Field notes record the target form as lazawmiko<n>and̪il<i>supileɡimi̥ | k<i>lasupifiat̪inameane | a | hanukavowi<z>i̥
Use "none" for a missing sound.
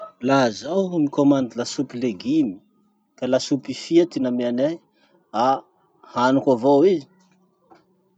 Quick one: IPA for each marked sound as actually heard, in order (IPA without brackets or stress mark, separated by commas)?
m, a, a, z